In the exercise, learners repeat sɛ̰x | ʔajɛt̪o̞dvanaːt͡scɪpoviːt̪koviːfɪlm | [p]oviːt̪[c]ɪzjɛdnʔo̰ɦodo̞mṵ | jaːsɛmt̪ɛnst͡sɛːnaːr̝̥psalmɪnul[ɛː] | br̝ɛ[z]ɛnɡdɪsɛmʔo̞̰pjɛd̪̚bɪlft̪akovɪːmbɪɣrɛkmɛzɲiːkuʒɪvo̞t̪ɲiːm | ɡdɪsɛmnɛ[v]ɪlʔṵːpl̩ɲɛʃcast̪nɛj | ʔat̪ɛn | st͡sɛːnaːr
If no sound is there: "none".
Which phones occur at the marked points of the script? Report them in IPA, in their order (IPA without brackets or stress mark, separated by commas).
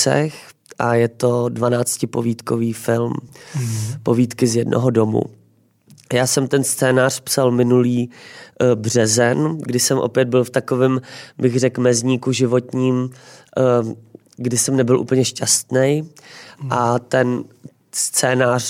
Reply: p, k, iː, z, b